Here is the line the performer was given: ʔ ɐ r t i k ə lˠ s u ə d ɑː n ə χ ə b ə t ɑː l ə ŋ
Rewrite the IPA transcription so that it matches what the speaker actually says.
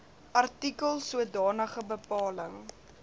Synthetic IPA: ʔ ɐ r t i k ə lˠ s u ə d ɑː n ə χ ə b ə p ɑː l ə ŋ